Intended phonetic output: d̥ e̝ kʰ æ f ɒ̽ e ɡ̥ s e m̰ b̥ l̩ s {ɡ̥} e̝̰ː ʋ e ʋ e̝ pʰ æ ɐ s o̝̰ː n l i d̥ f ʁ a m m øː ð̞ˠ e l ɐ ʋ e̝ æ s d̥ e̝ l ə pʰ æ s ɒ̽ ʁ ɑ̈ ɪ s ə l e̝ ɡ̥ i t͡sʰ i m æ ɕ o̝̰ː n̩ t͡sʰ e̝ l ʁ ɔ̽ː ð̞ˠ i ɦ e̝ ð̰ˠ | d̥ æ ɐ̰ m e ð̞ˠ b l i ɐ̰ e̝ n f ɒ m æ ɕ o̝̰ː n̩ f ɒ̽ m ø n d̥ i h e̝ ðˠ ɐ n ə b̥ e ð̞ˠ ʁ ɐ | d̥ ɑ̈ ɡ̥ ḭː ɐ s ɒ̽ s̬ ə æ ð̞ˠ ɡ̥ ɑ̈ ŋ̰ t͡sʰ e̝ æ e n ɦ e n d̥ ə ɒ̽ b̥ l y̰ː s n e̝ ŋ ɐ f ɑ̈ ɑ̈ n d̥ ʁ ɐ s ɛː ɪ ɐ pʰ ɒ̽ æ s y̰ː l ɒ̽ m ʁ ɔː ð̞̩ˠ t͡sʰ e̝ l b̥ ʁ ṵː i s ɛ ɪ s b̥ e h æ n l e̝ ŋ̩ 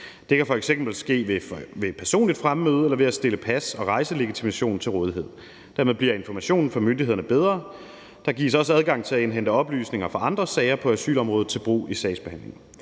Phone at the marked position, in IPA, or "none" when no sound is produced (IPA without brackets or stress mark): ɡ̥